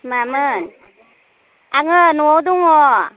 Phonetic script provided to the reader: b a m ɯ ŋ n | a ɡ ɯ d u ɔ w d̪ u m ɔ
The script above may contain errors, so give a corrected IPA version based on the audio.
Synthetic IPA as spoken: m a m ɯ n | a ŋ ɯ n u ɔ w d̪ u ŋ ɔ

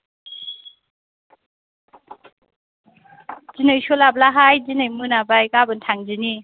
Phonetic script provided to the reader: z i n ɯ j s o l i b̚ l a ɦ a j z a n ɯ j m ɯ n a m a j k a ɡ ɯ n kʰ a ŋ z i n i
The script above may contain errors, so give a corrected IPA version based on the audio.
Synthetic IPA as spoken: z i n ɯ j s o l a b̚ l a ɦ a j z i n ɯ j m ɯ n a b a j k a b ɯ n tʰ a ŋ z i n i

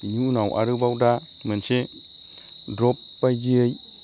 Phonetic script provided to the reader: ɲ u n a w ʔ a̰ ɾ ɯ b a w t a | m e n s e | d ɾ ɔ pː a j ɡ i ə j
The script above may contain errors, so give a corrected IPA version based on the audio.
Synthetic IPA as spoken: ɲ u n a w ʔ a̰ ɾ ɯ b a w d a | m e n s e | d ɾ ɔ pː a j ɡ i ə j

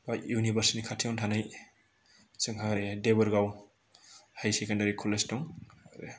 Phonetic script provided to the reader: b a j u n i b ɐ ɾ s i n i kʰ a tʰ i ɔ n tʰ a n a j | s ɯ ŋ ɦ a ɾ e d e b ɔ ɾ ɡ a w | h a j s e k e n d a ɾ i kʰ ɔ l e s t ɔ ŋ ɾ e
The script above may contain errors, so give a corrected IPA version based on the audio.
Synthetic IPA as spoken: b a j u n i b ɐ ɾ s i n i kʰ a tʰ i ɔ n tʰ a n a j | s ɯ ŋ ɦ a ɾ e d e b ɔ ɾ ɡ a w | h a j s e k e n d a ɾ i kʰ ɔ l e s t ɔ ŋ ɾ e

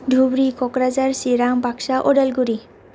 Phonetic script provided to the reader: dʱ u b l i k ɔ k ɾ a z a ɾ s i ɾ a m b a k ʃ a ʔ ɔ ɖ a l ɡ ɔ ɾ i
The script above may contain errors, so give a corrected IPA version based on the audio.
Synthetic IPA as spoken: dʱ u b ɾ i k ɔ k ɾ a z a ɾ s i ɾ a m b a k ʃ a ʔ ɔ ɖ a l ɡ u ɾ i

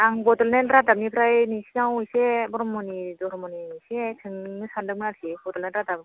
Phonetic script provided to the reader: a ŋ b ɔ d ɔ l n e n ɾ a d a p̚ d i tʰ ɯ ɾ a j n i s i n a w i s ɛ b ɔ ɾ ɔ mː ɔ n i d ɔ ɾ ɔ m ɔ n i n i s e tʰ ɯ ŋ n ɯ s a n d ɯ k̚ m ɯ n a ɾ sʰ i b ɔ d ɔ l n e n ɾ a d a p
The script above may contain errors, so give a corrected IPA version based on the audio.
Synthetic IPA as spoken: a ŋ b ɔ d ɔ l n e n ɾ a d a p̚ n i pʰ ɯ ɾ a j n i s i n a w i s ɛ b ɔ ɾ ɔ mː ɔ n i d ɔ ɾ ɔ m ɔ n i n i s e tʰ ɯ ŋ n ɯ s a n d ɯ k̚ m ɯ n a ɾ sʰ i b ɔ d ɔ l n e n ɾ a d a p

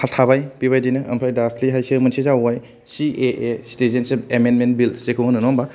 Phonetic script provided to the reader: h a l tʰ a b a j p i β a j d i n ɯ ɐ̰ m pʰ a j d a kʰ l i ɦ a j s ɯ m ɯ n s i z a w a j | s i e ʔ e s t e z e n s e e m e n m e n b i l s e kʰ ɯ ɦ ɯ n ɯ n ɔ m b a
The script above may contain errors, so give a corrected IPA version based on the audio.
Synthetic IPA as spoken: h a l tʰ a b a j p i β a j d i n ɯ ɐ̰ m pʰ a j d a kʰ l i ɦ a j s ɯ m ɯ n s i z a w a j | s i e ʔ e s t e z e n s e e m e n m e n b i l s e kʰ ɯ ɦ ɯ n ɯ n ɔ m b a

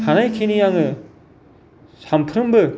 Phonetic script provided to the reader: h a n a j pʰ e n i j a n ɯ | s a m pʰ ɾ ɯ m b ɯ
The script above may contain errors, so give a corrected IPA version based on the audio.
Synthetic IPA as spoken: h a n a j kʰ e n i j a ŋ ɯ | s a m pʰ ɾ ɯ m b ɯ

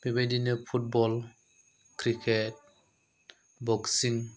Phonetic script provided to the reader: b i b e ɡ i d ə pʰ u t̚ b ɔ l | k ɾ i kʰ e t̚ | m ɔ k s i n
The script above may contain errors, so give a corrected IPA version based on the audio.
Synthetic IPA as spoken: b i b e d i n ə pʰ u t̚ b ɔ l | k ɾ i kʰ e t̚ | b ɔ k s i ŋ

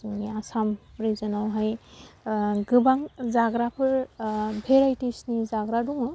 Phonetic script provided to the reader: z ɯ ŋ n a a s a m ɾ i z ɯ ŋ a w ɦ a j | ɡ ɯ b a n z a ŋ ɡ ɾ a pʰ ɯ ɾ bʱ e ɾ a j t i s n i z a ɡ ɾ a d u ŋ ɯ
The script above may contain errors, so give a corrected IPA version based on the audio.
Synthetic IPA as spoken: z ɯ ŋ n i a s a m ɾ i z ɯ n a w ɦ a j | ɡ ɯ b a ŋ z a ɡ ɾ a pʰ ɯ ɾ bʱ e ɾ a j t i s n i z a ɡ ɾ a d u ŋ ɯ

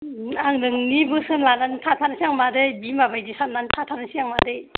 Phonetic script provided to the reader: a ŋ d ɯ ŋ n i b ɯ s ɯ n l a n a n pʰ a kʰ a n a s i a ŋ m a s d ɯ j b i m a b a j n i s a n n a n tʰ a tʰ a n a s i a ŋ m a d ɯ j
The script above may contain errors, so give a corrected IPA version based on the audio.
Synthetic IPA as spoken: a ŋ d ɯ ŋ n i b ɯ s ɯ n l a n a n tʰ a tʰ a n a s i a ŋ m a d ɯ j b i m a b a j d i s a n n a n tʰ a tʰ a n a s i a ŋ m a d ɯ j

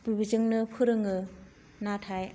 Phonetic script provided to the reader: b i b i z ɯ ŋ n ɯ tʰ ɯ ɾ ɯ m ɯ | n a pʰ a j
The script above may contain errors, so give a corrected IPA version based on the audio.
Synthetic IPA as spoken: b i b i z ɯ ŋ n ɯ pʰ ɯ ɾ ɯ ŋ ɯ | n a tʰ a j

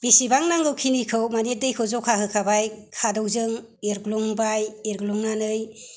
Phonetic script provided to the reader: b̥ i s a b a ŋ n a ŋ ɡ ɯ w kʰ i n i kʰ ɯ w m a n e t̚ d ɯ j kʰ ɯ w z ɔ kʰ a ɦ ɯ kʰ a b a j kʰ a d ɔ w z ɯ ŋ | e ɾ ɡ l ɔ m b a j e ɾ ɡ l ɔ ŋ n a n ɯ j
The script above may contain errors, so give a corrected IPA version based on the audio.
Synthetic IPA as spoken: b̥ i s i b a ŋ n a ŋ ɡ ɯ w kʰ i n i kʰ ɯ w m a n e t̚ d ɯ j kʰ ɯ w z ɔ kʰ a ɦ ɯ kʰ a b a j kʰ a d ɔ w z ɯ ŋ | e ɾ ɡ l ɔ ŋ b a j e ɾ ɡ l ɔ ŋ n a n ɯ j

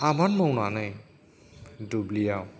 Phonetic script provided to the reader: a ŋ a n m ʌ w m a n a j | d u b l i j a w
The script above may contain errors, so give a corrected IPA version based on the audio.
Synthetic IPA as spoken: a m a n m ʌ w n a n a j | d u b l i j a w

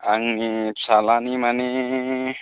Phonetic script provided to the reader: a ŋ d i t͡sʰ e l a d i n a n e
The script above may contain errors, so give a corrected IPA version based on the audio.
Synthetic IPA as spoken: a ŋ n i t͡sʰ a l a n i m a n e

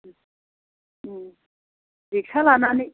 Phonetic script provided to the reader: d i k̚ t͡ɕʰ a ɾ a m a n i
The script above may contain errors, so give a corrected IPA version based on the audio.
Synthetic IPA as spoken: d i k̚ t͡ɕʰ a l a n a n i

